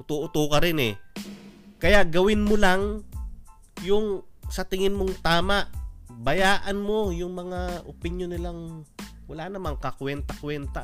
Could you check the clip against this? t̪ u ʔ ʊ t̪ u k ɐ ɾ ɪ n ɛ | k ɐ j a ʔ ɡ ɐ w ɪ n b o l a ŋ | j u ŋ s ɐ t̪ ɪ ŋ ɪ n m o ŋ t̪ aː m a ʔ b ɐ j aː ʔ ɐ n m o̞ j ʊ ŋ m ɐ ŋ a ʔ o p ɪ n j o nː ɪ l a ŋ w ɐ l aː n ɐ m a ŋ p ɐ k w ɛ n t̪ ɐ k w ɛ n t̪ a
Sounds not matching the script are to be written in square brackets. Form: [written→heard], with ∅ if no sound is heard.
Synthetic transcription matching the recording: t̪ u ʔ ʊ t̪ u k ɐ ɾ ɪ n ɛ | k ɐ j a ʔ ɡ ɐ w ɪ n [b→m] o l a ŋ | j [u→ʊ] ŋ s ɐ t̪ ɪ ŋ ɪ n m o ŋ t̪ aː m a ʔ b ɐ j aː ʔ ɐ n m o̞ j ʊ ŋ m ɐ ŋ a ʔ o p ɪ n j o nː ɪ l a ŋ w ɐ l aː n ɐ m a ŋ [p→k] ɐ k w ɛ n t̪ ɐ k w ɛ n t̪ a